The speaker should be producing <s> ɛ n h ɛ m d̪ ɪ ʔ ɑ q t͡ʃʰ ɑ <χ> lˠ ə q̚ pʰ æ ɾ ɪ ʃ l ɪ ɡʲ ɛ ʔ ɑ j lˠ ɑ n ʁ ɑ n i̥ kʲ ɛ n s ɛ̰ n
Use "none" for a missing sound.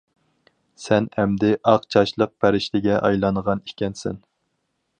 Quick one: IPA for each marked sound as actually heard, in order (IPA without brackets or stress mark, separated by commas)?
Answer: s, ʃ